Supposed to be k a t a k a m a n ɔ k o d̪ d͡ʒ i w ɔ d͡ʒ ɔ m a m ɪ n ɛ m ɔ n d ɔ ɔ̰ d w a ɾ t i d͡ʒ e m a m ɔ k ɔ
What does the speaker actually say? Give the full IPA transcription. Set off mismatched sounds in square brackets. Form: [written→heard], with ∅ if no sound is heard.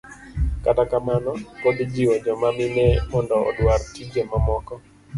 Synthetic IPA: k a t a k a m a n ɔ k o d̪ d͡ʒ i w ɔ d͡ʒ ɔ m a m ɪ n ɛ m ɔ n d ɔ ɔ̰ d w a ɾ t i d͡ʒ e m a m ɔ k ɔ